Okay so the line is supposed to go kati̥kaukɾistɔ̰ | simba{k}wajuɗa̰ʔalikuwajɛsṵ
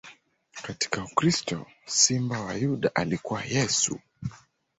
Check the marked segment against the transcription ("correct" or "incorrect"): incorrect